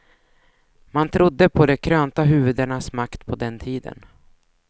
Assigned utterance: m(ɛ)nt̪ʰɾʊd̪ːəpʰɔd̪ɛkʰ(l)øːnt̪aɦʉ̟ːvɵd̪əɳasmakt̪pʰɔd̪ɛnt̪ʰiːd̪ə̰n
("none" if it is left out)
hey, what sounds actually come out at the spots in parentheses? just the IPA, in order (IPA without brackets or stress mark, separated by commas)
a, ɾ